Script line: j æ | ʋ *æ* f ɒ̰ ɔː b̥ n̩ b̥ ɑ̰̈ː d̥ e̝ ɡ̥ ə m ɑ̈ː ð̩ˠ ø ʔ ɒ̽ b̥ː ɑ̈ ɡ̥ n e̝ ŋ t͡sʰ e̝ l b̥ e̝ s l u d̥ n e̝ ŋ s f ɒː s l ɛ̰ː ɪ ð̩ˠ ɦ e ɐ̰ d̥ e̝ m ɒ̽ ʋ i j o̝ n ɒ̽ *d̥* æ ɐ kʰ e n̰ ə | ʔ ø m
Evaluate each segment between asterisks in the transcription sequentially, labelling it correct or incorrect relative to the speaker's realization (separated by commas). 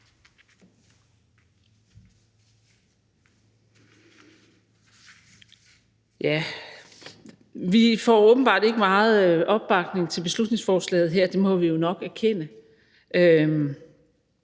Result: incorrect, incorrect